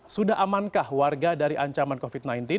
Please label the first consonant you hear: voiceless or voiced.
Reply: voiceless